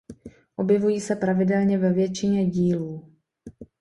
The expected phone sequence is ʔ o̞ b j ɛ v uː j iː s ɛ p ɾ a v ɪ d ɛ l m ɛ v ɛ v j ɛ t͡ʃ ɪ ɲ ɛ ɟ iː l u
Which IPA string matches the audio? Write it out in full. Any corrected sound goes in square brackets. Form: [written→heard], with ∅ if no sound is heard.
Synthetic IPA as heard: ʔ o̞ b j ɛ v [uː→u] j iː s ɛ p ɾ a v ɪ d ɛ l [m→ɲ] ɛ v ɛ v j ɛ t͡ʃ ɪ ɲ ɛ ɟ iː l [u→uː]

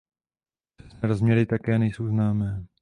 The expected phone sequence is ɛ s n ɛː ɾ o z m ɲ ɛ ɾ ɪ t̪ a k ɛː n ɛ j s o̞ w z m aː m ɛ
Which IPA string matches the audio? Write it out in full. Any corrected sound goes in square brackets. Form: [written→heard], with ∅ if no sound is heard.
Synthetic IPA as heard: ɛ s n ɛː ɾ o z m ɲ ɛ ɾ ɪ t̪ a k ɛː n ɛ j s o̞ w z [m→n] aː m [ɛ→ɛː]

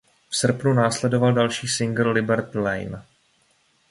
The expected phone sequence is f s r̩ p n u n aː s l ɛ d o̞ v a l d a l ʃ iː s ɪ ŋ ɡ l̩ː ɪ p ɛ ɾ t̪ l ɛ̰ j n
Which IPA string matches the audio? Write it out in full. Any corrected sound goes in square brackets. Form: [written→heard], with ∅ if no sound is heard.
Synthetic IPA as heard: f s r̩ p n u n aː s l ɛ d o̞ v a l d a l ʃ iː s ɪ ŋ ɡ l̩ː ɪ [p→b] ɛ ɾ t̪ l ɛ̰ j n

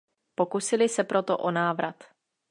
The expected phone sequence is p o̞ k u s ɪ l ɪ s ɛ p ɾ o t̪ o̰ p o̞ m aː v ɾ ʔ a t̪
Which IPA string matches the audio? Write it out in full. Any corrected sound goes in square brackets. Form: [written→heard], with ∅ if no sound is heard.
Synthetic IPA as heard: p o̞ k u s ɪ l ɪ s ɛ p ɾ o t̪ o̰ [p→ʔ] o̞ [m→n] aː v ɾ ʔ a t̪

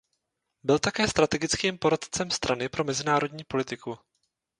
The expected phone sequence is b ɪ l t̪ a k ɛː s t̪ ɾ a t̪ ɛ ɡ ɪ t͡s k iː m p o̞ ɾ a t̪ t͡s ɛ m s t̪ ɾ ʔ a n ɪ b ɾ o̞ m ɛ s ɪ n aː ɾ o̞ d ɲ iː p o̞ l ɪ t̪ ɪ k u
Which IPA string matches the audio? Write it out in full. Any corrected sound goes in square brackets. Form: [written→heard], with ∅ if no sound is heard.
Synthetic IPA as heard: b ɪ l t̪ a k ɛː s t̪ ɾ a t̪ ɛ ɡ ɪ t͡s k iː m p o̞ ɾ a t̪ t͡s ɛ m s t̪ ɾ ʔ a n ɪ [b→p] ɾ o̞ m ɛ [s→z] ɪ n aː ɾ o̞ d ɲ iː p o̞ l ɪ t̪ ɪ k u

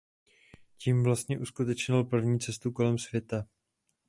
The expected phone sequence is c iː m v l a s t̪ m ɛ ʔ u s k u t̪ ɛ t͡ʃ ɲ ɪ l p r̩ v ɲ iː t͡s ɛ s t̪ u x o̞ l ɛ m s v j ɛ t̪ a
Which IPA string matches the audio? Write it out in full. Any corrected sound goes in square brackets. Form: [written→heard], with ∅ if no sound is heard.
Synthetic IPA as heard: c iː m v l a s t̪ [m→ɲ] ɛ ʔ u s k u t̪ ɛ t͡ʃ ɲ ɪ l p r̩ v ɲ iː t͡s ɛ s t̪ u [x→k] o̞ l ɛ m s v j ɛ t̪ a

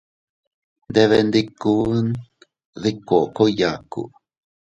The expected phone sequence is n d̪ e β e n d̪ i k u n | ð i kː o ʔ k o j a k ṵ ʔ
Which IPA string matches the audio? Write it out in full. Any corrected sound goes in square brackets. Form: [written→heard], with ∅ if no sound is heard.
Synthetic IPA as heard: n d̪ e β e n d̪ i k u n | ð i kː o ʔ k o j a k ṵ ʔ

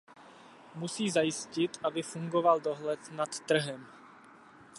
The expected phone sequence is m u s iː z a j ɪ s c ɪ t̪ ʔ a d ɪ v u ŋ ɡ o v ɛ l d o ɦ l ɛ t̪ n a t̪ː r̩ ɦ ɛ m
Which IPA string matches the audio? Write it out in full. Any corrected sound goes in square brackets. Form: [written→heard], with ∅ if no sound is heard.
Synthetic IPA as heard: m u s iː z a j ɪ s c ɪ t̪ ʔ a [d→b] ɪ [v→f] u ŋ ɡ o v [ɛ→a] l d o ɦ l ɛ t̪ n a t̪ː r̩ ɦ ɛ m

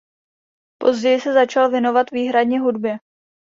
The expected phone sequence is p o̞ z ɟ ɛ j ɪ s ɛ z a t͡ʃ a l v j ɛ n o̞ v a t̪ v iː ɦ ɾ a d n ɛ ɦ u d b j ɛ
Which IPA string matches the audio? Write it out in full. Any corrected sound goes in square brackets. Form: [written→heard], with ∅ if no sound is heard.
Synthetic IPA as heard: p o̞ z ɟ ɛ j ɪ s ɛ z a t͡ʃ a l v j ɛ n o̞ v a t̪ v iː ɦ ɾ a d [n→ɲ] ɛ ɦ u d b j ɛ

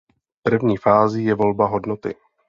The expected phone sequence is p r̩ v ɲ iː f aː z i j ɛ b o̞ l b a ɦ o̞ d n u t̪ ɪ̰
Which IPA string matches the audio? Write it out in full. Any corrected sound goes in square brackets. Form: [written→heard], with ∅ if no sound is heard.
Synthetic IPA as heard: p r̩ v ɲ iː f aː z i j ɛ [b→v] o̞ l b a ɦ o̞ d n [u→o] t̪ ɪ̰

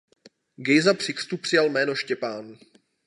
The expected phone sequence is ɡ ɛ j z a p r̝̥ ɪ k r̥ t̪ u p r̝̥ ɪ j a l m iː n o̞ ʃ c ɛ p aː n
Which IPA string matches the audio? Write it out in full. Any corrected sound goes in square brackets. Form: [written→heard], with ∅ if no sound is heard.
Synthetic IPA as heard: ɡ ɛ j z a p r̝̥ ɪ k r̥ t̪ u p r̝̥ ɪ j a l m [iː→ɛː] n o̞ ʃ c ɛ p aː n

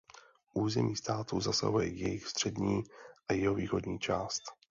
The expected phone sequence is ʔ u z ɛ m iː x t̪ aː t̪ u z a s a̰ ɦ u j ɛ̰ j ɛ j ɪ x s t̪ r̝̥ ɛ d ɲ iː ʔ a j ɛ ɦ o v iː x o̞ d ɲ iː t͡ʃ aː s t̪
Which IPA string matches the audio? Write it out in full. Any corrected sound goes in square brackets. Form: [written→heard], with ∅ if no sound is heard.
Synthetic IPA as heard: ʔ [u→uː] z ɛ m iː [x→s] t̪ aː t̪ u z a s a̰ ɦ u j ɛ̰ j ɛ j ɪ x s t̪ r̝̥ ɛ d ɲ iː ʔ a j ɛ ɦ o v iː x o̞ d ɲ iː t͡ʃ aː s t̪

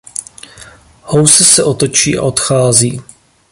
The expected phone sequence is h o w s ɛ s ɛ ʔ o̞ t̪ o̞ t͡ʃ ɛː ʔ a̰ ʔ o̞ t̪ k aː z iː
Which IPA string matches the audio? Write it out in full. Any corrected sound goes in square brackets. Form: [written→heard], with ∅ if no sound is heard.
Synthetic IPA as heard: h o w s ɛ s ɛ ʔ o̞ t̪ o̞ t͡ʃ [ɛː→iː] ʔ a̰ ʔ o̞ t̪ [k→x] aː z iː

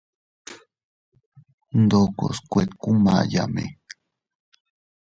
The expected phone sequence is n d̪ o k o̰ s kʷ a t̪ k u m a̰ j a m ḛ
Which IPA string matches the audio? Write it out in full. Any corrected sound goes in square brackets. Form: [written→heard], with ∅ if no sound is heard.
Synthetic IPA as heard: n d̪ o k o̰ s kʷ [a→e] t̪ k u m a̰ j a m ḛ

